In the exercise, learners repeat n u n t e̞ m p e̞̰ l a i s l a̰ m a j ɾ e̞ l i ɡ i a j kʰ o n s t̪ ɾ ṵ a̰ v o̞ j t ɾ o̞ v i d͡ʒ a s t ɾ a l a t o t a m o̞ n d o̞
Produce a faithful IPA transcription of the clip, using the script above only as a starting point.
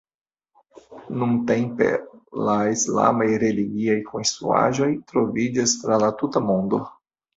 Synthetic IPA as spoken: n u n t e̞ m p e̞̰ l a i s l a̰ m a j ɾ e̞ l i ɡ i a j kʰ o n s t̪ ɾ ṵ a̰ ʒ o̞ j t ɾ o̞ v i d͡ʒ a s t ɾ a l a t u t a m o̞ n d o̞